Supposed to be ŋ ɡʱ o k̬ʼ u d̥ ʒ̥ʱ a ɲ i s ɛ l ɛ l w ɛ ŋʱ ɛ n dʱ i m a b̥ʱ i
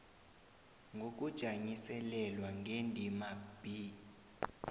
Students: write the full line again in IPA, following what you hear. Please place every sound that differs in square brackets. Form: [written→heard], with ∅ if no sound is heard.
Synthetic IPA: ŋ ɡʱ o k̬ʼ u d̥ ʒ̥ʱ a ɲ i s ɛ l ɛ l w [ɛ→a] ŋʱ [ɛ→e] n dʱ i m a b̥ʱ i